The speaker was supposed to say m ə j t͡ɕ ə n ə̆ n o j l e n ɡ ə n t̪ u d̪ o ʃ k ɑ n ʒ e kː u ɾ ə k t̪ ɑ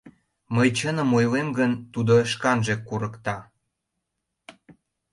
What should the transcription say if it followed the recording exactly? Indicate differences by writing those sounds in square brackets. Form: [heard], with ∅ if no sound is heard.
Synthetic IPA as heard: m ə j t͡ɕ ə n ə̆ [m] o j l e [m] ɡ ə n t̪ u d̪ o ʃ k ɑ n ʒ e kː u ɾ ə k t̪ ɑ